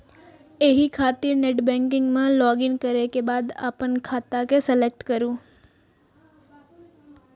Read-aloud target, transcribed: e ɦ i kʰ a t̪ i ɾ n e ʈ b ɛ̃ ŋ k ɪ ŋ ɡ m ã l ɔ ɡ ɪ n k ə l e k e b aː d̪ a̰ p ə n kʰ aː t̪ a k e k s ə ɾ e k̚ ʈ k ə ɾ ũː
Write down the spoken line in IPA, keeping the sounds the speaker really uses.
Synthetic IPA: e ɦ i kʰ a t̪ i ɾ n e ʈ b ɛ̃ ŋ k ɪ ŋ ɡ m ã l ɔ ɡ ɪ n k ə ɾ e k e b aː d̪ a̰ p ə n kʰ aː t̪ a k e s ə l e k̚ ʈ k ə ɾ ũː